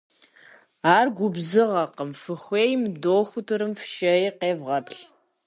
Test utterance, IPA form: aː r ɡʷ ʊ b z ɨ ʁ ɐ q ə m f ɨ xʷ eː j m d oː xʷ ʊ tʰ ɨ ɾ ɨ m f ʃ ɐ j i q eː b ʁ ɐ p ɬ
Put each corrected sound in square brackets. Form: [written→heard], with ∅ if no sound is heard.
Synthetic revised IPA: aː r ɡʷ ʊ b z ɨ ʁ ɐ q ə m f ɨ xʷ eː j m d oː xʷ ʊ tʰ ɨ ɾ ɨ m f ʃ ɐ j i q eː [b→v] ʁ ɐ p ɬ

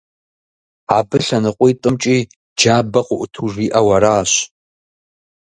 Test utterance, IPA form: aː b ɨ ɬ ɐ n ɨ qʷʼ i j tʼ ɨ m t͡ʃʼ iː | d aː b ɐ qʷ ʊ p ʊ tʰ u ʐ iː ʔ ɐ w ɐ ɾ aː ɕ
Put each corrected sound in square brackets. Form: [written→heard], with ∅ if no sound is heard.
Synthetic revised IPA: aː b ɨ ɬ ɐ n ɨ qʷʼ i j tʼ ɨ m t͡ʃʼ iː | [d→d͡ʒ] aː b ɐ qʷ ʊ [p→ʔ] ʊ tʰ u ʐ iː ʔ ɐ w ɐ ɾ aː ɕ

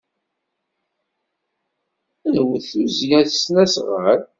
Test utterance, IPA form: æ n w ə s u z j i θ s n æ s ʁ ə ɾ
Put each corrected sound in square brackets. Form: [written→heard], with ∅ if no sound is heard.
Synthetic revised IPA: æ n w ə [s→θ] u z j [i→æ] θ s n æ s ʁ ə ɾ

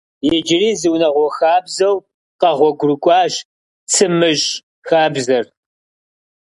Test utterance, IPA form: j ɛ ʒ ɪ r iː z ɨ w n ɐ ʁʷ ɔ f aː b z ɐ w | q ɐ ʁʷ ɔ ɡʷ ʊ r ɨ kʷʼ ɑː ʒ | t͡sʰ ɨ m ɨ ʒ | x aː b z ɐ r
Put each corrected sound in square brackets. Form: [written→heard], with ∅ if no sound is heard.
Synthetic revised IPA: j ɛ [ʒ→d͡ʒ] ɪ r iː z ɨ w n ɐ ʁʷ ɔ [f→x] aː b z ɐ w | q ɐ ʁʷ ɔ ɡʷ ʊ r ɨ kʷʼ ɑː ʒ | t͡sʰ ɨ m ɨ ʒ | x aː b z ɐ r

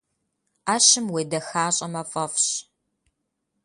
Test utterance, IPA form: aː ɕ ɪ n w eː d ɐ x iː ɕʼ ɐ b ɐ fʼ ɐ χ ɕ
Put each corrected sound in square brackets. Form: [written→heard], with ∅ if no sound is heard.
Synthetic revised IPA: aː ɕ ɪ [n→m] w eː d ɐ x [iː→aː] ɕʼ ɐ [b→m] ɐ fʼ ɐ [χ→f] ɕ

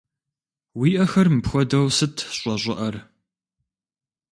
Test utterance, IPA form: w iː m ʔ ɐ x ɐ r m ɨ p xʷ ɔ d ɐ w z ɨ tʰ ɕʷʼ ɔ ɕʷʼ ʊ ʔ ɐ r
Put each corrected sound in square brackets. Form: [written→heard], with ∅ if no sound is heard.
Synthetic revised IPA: w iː [m→∅] ʔ ɐ x ɐ r m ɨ p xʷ ɔ d ɐ w [z→s] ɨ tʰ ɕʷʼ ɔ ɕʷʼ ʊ ʔ ɐ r

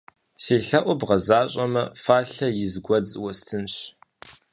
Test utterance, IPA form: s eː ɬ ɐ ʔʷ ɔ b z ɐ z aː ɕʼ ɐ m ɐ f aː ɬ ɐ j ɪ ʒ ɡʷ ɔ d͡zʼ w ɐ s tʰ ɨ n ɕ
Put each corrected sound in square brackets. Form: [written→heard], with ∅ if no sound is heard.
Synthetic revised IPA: s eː ɬ ɐ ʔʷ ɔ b [z→ʁ] ɐ z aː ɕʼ ɐ m ɐ f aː ɬ ɐ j ɪ [ʒ→z] ɡʷ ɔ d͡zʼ w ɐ s tʰ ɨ n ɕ

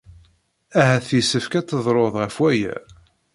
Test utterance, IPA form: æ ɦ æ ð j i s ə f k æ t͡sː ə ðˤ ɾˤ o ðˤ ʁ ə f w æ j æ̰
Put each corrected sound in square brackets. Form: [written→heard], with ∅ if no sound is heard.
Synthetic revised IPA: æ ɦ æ [ð→θ] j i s ə f k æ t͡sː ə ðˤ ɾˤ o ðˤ ʁ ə f w æ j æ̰

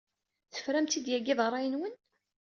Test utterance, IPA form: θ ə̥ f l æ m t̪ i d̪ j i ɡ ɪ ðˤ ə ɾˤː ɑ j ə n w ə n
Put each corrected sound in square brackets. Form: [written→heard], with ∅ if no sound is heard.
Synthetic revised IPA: θ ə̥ f [l→ɾ] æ m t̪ i d̪ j [i→æ] ɡ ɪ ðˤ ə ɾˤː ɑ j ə n w ə n

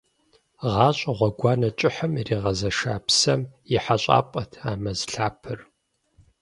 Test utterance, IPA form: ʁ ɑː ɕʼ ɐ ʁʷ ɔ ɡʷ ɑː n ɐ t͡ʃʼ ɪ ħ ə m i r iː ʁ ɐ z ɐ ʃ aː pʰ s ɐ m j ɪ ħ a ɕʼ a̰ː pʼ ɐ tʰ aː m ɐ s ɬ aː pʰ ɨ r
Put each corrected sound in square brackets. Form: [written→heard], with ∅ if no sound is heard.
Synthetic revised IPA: ʁ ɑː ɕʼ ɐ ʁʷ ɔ ɡʷ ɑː n ɐ t͡ʃʼ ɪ ħ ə m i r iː ʁ ɐ z ɐ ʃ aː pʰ s ɐ m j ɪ ħ a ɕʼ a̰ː pʼ ɐ tʰ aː m ɐ [s→z] ɬ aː pʰ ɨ r

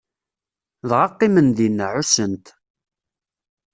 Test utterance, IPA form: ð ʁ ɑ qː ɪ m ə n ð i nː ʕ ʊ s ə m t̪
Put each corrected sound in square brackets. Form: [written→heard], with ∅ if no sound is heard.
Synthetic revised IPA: ð ʁ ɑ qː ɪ m ə n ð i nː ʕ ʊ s ə [m→n] t̪

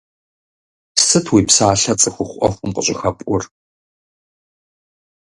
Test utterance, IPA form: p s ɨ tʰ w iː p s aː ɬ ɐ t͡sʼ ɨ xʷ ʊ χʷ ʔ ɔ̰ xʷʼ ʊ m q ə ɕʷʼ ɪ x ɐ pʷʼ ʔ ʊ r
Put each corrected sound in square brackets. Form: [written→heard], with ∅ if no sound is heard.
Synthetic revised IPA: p s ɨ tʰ w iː p s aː ɬ ɐ t͡sʼ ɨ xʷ ʊ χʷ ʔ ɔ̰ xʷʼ ʊ m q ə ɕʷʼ ɪ x ɐ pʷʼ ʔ ʊ r

